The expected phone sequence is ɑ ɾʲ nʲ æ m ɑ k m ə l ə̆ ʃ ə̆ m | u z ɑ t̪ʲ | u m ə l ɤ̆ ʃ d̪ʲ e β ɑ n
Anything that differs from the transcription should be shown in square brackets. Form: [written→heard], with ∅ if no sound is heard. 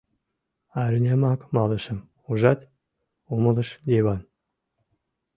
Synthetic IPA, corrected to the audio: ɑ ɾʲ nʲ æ m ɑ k m [ə→ɑ] l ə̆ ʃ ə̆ m | u [z→ʒ] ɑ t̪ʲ | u m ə l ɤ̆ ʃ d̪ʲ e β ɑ n